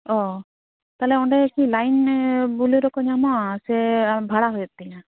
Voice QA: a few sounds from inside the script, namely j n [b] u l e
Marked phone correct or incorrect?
correct